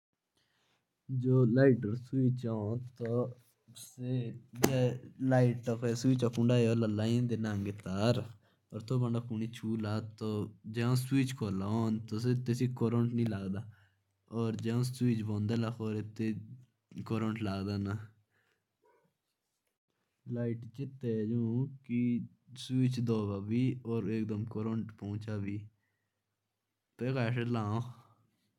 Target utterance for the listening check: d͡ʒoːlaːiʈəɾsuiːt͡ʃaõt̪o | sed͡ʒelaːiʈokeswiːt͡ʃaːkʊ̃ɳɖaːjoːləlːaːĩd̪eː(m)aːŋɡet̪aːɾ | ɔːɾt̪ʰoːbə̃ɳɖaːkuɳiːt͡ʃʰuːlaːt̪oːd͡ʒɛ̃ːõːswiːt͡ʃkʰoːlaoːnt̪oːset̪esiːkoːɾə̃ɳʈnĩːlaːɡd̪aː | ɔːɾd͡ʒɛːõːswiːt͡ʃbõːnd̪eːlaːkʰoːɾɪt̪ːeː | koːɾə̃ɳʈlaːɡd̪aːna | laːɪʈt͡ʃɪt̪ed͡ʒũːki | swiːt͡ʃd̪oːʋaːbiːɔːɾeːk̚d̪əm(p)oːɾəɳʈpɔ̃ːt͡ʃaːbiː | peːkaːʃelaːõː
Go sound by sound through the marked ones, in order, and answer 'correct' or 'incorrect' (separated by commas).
incorrect, incorrect